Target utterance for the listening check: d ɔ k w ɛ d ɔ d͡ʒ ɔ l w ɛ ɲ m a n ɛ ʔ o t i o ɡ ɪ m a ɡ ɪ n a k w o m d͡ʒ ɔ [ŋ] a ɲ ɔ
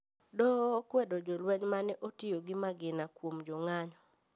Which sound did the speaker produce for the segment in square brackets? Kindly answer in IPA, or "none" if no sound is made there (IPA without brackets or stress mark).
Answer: ŋ